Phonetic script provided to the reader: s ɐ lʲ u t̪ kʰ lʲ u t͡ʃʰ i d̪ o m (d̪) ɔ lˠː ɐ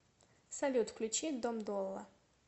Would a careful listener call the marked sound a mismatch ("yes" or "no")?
no